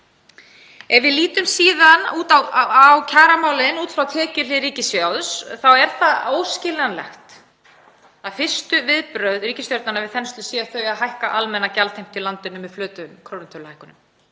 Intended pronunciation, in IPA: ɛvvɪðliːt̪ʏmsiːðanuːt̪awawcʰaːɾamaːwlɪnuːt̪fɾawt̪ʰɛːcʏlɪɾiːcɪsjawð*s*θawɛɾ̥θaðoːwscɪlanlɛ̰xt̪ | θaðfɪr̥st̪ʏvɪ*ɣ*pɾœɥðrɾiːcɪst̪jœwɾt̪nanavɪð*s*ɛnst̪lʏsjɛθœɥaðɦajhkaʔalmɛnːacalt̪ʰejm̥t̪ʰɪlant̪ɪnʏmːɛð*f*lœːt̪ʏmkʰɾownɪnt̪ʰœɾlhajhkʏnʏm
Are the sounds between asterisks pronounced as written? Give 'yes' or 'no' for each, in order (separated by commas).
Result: yes, no, no, yes